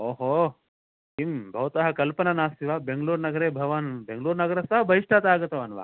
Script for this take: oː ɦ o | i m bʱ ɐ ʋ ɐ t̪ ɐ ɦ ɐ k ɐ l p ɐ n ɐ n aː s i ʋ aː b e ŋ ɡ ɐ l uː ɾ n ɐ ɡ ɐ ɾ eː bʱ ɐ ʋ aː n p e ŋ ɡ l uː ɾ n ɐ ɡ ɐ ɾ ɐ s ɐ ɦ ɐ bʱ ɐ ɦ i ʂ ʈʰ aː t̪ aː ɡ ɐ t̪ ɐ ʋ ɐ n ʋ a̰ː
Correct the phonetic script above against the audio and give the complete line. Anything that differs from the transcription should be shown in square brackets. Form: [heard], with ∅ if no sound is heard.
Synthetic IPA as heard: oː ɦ o | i m bʱ ɐ ʋ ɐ t̪ ɐ ɦ ɐ k ɐ l p ɐ n ɐ n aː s i ʋ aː b e ŋ ɡ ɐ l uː ɾ n ɐ ɡ ɐ ɾ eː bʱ ɐ ʋ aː n [b] e ŋ ɡ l uː ɾ n ɐ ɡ ɐ ɾ ɐ s ɐ ɦ ɐ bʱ ɐ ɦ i ʂ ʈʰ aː t̪ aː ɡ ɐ t̪ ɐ ʋ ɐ n ʋ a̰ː